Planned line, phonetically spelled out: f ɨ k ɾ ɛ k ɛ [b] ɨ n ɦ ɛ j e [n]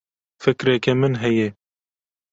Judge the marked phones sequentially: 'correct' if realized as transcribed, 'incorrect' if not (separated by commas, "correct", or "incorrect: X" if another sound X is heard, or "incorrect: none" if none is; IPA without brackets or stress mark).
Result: incorrect: m, incorrect: none